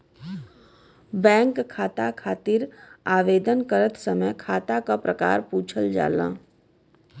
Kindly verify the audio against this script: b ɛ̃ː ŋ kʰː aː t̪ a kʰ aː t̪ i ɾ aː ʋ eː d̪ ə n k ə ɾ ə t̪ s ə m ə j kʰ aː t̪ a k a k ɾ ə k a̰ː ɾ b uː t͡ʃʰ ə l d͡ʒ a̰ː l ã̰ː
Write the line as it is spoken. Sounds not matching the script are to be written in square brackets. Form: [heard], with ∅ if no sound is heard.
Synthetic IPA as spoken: b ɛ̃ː ŋ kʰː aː t̪ a kʰ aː t̪ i ɾ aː ʋ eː d̪ ə n k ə ɾ ə t̪ s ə m ə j kʰ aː t̪ a k a [p] ɾ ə k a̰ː ɾ [p] uː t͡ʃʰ ə l d͡ʒ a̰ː l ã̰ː